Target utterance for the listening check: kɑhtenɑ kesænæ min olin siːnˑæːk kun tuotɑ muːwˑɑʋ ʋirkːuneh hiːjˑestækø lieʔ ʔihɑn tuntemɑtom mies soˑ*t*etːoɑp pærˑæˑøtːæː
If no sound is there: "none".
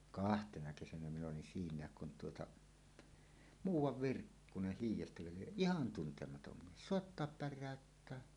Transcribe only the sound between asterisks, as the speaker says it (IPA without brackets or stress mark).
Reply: none